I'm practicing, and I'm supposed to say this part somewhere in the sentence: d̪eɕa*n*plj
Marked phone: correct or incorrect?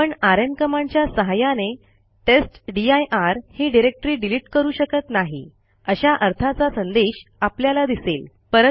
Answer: incorrect